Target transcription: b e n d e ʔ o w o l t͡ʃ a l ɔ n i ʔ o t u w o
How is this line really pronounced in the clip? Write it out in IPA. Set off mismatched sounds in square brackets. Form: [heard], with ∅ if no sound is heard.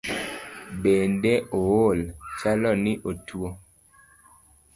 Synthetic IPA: b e n d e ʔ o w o l t͡ʃ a l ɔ n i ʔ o t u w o

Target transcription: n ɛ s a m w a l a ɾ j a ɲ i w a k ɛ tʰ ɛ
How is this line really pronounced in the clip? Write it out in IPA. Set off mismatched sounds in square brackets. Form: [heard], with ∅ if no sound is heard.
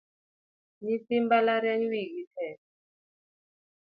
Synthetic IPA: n [i] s [i] m [b] a l a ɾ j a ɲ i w [i] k [i] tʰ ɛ

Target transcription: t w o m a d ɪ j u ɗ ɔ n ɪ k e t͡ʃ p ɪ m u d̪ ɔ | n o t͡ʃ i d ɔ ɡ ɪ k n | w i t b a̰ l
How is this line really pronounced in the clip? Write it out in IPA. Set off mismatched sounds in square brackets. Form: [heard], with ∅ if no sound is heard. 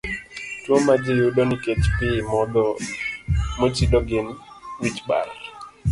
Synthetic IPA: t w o m a [d͡ʒ] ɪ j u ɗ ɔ n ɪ k e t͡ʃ p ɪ m [ɔ] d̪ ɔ | [m] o t͡ʃ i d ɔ ɡ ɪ [∅] n | w i [t͡ʃ] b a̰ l

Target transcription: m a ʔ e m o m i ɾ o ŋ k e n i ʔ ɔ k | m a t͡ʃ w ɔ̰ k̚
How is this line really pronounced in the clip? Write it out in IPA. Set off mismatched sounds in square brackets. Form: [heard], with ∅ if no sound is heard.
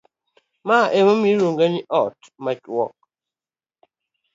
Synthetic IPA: m a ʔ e m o m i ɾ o ŋ [ɡ] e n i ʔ ɔ [t] | m a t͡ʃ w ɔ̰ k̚

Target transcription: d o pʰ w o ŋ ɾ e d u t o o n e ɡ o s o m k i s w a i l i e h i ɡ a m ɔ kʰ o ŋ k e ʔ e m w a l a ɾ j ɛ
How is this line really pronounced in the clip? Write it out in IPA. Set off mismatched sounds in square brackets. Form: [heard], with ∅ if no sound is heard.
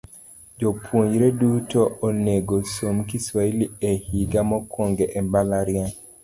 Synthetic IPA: [d͡ʒ] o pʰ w o [ɲ] ɾ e d u t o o n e ɡ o s o m k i s w a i l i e h i ɡ a m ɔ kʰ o ŋ [ɡ] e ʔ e m [b] a l a ɾ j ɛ

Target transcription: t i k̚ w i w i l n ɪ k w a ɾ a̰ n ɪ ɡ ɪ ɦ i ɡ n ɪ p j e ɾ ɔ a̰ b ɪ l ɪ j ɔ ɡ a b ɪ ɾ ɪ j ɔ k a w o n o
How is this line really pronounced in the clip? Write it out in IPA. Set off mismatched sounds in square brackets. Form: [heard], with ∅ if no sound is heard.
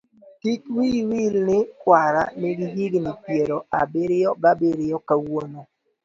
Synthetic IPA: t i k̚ w i w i l n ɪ k w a ɾ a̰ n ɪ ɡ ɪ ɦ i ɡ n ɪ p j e ɾ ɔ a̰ b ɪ [ɾ] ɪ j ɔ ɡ a b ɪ ɾ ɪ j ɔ k a w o n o

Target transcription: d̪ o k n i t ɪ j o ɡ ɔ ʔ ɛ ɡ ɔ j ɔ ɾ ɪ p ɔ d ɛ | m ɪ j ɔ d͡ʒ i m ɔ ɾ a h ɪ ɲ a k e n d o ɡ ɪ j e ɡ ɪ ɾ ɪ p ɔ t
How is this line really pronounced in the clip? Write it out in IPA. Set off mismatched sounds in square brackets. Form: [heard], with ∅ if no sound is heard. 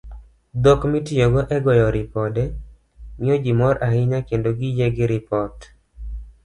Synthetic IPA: d̪ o k [m] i t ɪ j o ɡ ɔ ʔ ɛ ɡ ɔ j ɔ ɾ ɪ p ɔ d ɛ | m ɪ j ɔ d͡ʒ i m ɔ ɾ a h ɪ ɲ a k e n d o ɡ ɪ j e ɡ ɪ ɾ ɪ p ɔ t

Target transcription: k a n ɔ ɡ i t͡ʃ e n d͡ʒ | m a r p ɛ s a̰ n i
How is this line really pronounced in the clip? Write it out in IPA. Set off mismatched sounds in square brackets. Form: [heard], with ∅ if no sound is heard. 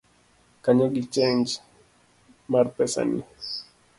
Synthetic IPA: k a [ɲ] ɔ ɡ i t͡ʃ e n d͡ʒ | m a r p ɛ s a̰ n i

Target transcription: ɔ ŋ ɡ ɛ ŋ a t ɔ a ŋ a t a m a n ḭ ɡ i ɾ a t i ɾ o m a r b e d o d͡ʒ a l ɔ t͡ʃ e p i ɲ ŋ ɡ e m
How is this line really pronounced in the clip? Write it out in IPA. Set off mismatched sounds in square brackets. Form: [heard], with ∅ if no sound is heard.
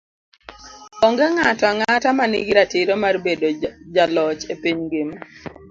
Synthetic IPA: ɔ ŋ ɡ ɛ ŋ a t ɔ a ŋ a t a m a n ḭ ɡ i ɾ a t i ɾ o m a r b e d o d͡ʒ a l ɔ t͡ʃ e p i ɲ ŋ ɡ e m

